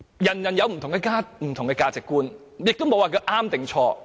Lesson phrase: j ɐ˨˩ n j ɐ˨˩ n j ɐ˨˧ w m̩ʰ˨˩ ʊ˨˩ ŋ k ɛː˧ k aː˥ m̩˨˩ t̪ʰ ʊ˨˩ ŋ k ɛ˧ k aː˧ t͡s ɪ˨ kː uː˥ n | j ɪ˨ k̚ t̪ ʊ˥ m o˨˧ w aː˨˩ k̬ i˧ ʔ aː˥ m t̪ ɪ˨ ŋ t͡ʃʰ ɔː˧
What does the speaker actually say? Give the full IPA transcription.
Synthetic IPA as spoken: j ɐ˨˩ n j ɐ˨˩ n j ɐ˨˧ w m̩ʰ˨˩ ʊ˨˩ ŋ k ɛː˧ k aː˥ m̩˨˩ t̪ʰ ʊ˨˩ ŋ k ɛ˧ k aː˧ t͡s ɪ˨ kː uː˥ n | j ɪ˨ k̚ t̪ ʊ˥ m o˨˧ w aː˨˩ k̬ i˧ ʔ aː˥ m t̪ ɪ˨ ŋ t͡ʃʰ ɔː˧